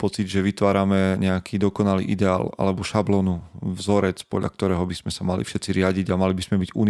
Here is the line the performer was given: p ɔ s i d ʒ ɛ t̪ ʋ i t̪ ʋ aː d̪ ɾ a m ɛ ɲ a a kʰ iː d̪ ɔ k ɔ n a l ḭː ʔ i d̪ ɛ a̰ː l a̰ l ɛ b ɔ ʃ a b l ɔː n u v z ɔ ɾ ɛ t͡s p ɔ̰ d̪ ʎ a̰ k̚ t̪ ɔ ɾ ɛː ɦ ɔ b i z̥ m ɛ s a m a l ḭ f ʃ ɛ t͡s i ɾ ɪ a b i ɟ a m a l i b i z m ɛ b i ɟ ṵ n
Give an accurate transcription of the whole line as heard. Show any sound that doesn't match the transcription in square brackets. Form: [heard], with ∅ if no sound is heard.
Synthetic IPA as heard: p ɔ [t͡s] i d ʒ ɛ [∅] ʋ i t̪ ʋ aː [∅] ɾ a m ɛ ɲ [ɛ] a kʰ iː d̪ ɔ k ɔ n a l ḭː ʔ i d̪ ɛ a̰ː l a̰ l ɛ b ɔ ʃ a b l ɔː n u v z ɔ ɾ ɛ t͡s p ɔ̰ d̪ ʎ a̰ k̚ t̪ ɔ ɾ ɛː ɦ ɔ b i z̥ m ɛ s a m a l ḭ f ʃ ɛ t͡s i ɾ ɪ a [ɟ] i ɟ a m a l i b i z m ɛ b i ɟ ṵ n